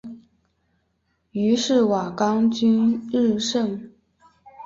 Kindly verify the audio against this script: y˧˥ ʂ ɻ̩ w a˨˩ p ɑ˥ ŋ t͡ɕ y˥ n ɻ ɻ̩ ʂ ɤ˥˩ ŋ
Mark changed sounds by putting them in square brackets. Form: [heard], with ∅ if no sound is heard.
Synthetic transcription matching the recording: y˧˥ ʂ ɻ̩ w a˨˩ [k] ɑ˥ ŋ t͡ɕ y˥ n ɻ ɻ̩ ʂ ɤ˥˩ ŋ